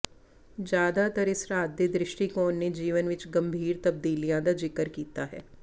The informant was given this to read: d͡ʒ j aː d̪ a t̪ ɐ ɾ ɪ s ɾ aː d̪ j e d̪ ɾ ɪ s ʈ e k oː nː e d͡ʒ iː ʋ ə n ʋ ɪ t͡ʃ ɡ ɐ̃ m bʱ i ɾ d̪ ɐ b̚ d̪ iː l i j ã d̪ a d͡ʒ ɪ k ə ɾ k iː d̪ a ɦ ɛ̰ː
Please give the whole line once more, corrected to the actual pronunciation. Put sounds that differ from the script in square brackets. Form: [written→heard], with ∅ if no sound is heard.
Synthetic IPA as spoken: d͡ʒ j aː d̪ a t̪ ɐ ɾ ɪ s ɾ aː d̪ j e d̪ ɾ ɪ [s→ʃ] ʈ [e→i] k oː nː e d͡ʒ iː ʋ ə n ʋ ɪ t͡ʃ ɡ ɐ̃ m bʱ [i→iː] ɾ [d̪→t̪] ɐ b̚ d̪ iː l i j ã d̪ a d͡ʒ ɪ k ə ɾ k iː [d̪→t̪] a ɦ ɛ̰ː